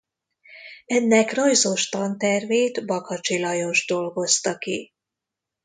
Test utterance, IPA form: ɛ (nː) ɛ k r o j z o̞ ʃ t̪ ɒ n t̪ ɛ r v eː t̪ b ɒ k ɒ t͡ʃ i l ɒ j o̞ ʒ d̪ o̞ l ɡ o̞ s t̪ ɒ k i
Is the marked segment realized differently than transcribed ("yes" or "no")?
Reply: no